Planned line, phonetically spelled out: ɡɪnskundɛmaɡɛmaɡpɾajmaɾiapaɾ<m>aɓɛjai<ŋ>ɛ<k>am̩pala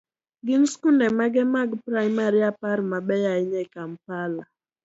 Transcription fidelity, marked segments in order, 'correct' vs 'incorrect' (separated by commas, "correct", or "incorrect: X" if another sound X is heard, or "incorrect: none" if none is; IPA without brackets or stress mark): correct, incorrect: ɲ, correct